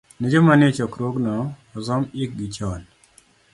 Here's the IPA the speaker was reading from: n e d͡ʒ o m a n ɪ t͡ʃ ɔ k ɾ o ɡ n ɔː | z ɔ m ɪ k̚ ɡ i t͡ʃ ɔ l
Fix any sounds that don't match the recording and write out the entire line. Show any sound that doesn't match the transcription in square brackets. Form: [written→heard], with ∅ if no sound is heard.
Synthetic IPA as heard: n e d͡ʒ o m a n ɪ t͡ʃ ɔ k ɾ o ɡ n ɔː | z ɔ m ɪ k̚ ɡ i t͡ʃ ɔ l